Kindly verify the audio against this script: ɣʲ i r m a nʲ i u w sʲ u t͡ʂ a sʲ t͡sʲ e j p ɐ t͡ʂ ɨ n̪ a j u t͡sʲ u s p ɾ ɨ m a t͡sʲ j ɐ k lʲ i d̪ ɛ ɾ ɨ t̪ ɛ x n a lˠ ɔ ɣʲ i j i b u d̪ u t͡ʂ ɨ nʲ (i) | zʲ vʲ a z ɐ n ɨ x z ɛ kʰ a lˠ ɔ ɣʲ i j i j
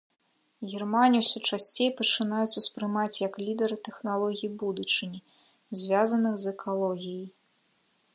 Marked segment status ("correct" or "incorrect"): correct